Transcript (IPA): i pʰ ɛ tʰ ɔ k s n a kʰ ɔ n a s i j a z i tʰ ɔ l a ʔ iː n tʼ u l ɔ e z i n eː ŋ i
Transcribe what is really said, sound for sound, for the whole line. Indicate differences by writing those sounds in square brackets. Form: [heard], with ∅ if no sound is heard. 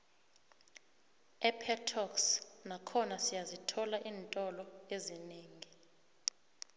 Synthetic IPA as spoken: [ɛ] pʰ ɛ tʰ ɔ k s n a kʰ ɔ n a s i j a z i tʰ ɔ l a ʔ iː n tʼ [ɔ] l ɔ e z i n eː ŋ i